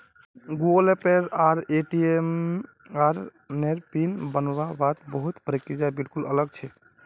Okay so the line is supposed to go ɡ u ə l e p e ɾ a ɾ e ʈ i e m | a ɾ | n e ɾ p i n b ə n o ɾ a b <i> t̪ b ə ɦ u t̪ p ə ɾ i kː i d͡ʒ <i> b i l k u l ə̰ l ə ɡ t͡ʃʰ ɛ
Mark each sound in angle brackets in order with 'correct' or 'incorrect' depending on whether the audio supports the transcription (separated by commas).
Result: incorrect, incorrect